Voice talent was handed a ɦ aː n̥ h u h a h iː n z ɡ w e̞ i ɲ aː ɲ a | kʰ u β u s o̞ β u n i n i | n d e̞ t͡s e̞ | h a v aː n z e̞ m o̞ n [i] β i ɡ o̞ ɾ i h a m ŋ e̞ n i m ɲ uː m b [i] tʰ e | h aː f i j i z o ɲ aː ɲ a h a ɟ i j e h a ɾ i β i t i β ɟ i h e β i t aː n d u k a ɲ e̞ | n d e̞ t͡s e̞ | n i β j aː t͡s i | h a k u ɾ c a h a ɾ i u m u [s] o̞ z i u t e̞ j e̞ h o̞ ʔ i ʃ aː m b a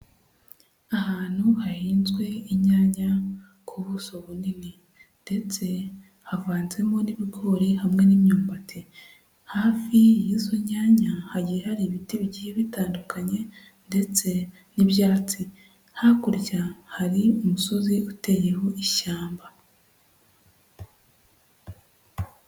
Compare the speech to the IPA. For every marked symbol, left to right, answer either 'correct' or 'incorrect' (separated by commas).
correct, incorrect, correct